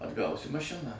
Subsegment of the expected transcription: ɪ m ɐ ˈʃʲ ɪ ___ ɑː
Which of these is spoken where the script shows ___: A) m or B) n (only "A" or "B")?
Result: B